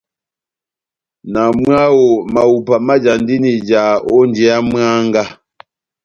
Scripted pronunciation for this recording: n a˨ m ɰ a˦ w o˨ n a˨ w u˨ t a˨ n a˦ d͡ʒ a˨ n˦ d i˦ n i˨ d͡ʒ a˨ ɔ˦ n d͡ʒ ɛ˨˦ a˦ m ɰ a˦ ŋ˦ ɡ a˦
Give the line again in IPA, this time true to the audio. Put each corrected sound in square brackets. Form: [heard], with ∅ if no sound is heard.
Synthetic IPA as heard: n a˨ m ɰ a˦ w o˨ [m] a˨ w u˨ [p] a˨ [m] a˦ d͡ʒ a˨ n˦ d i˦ n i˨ d͡ʒ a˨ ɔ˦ n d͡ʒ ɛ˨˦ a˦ m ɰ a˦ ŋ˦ ɡ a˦